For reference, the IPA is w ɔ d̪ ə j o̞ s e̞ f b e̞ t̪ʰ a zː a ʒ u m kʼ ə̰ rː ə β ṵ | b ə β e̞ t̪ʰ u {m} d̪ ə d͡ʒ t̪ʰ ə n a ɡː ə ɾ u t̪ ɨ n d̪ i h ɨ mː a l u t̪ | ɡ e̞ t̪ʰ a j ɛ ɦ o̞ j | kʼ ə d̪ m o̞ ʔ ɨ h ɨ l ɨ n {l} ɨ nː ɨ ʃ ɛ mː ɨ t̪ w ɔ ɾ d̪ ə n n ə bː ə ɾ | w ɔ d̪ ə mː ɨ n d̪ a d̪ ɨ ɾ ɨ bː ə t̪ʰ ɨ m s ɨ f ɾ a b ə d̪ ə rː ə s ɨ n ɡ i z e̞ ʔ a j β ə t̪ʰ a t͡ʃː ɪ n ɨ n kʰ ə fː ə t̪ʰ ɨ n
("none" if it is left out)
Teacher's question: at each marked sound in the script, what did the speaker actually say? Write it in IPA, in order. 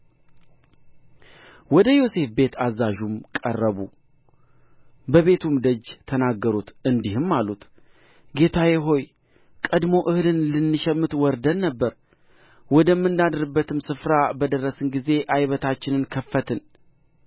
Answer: m, l

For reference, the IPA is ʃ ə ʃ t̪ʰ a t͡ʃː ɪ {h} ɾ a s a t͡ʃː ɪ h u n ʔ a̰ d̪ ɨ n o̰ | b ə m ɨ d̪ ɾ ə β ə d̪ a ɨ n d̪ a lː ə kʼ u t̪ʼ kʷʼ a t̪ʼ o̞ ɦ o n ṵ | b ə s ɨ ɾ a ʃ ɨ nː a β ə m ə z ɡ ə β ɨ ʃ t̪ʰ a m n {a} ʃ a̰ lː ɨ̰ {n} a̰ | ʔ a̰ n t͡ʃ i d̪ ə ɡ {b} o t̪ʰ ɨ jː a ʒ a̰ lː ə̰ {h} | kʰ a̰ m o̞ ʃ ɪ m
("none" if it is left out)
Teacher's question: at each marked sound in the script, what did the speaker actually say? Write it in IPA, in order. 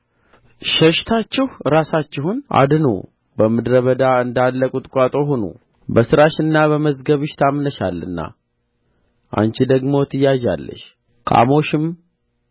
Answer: h, ə, nː, m, ʃ

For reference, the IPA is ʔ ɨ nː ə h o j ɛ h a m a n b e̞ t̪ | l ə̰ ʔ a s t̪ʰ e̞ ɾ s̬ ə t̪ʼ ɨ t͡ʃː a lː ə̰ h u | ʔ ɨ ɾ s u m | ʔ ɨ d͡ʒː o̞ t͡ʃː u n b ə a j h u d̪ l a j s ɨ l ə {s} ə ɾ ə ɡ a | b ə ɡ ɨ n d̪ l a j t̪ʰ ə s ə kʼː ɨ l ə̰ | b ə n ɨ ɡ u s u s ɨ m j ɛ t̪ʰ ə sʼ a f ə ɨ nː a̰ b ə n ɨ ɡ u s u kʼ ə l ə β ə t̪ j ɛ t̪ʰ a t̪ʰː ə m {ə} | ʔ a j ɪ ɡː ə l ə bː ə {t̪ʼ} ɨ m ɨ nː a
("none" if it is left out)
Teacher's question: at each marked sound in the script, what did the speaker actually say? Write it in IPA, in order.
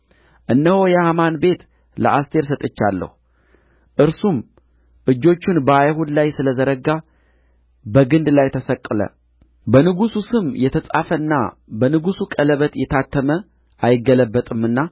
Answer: z, ə, t̪ʼ

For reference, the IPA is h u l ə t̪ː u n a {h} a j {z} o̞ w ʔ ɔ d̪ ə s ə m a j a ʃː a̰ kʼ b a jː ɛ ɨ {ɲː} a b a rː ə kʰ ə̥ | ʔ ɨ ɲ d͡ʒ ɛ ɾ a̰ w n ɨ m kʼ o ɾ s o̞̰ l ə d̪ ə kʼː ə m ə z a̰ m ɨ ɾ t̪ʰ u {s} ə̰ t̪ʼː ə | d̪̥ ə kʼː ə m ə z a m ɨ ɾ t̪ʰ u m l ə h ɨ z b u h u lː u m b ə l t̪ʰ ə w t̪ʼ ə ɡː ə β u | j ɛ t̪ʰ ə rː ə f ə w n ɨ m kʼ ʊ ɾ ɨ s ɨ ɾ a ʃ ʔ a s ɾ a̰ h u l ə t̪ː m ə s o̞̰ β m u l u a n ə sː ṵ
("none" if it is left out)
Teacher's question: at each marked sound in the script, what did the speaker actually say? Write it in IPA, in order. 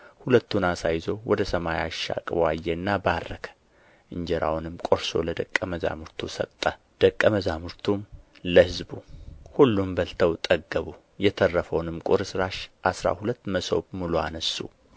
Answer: s, z, nː, s

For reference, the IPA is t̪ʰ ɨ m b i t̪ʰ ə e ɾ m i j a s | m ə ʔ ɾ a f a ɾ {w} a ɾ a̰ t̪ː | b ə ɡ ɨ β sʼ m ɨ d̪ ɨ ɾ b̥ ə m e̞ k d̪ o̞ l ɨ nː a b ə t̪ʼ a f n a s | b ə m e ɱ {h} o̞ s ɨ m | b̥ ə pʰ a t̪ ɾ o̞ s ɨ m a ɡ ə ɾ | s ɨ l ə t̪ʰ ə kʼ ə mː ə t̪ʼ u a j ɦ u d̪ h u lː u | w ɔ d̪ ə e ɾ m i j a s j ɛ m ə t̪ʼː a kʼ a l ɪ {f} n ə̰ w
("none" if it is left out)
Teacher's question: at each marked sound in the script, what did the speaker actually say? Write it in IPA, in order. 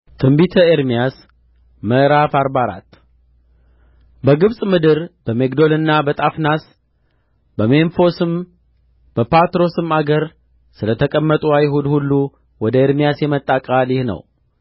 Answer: b, f, h

